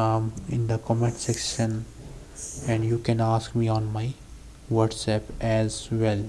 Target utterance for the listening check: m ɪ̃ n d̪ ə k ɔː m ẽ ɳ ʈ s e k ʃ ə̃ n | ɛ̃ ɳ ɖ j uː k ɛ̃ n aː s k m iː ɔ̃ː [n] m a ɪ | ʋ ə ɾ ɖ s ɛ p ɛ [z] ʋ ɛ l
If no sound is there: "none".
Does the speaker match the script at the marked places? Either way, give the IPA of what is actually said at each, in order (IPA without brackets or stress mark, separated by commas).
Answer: n, z